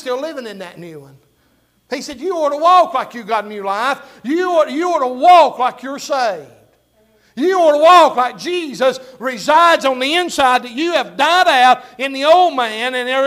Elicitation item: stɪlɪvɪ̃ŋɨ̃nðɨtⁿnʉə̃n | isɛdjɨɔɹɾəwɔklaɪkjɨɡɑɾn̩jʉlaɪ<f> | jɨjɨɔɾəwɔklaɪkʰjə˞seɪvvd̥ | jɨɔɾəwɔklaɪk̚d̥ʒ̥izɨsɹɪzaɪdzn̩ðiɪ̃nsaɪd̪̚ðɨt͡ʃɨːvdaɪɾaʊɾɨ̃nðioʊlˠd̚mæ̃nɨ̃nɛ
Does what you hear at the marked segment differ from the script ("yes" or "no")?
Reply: no